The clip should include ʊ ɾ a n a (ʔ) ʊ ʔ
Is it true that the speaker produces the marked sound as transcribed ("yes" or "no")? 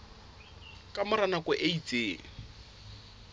no